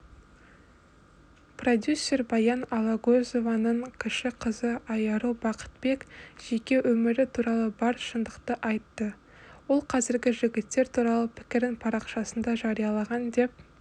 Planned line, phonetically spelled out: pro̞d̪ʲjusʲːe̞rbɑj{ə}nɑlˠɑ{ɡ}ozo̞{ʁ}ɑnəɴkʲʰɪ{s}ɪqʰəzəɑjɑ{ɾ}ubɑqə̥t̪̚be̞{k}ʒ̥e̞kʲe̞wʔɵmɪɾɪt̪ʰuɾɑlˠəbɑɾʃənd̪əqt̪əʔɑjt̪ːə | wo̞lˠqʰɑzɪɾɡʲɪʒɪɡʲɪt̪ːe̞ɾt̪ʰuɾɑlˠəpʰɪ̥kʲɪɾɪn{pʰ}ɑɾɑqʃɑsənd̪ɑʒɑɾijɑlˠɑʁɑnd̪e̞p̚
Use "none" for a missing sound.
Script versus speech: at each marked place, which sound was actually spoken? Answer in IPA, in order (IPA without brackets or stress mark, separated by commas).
ɑ, ɡ, v, ʃ, ɾ, k, pʰ